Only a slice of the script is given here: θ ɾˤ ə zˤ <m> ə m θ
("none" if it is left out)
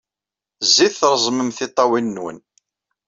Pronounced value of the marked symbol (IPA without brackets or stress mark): m